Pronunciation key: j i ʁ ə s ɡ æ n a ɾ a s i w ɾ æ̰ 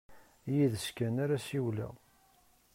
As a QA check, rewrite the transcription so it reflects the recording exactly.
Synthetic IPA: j i ð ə s k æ n a ɾ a s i w l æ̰